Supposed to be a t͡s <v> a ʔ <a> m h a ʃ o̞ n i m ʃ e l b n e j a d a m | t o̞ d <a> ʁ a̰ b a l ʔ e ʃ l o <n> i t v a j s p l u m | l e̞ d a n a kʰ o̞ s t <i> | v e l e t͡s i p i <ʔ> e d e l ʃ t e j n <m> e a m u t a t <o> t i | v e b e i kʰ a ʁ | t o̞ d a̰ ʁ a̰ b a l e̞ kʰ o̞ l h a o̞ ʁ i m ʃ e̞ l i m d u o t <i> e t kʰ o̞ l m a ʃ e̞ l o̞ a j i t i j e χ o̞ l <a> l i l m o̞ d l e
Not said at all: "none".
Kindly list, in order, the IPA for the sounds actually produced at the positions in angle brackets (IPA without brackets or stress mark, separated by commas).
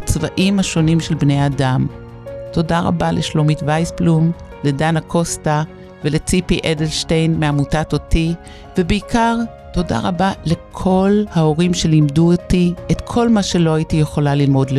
v, i, a, m, a, ʔ, m, o, i, a